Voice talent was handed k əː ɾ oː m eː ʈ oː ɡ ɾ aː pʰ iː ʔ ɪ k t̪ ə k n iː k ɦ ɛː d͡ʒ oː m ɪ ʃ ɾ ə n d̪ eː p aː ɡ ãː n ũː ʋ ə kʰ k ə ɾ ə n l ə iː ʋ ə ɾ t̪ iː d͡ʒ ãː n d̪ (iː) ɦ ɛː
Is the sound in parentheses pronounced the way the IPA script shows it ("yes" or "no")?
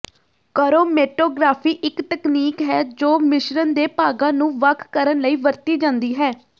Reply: yes